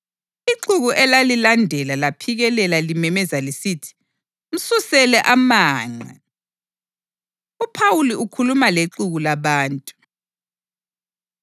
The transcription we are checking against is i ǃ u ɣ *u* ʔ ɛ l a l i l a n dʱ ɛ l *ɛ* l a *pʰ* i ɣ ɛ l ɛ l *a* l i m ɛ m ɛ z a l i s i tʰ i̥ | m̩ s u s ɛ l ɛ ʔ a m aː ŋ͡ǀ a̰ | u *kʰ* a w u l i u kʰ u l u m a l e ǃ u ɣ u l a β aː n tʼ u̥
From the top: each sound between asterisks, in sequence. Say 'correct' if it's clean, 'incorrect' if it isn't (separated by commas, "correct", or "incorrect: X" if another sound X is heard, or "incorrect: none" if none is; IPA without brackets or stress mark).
correct, incorrect: a, correct, correct, incorrect: pʰ